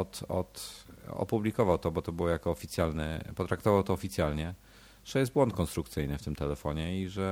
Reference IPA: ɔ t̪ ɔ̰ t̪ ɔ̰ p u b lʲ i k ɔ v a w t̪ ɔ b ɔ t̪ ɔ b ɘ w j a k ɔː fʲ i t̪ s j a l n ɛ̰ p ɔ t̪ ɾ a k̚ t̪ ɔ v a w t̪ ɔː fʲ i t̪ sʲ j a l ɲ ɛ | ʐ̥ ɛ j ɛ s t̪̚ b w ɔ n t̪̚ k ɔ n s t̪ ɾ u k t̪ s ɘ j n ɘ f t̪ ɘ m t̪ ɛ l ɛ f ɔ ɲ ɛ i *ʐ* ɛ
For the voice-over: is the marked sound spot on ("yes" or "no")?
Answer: yes